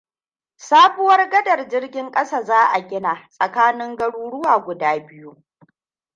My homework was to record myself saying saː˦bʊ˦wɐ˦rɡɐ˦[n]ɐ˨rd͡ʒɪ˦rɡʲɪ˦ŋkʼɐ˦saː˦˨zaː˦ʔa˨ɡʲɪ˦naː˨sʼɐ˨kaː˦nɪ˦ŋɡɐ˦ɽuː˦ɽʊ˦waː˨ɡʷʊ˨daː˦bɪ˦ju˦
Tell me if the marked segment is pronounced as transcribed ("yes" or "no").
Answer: no